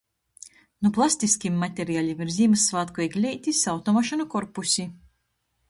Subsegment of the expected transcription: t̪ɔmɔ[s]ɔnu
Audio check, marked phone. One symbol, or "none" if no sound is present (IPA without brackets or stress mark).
ʃ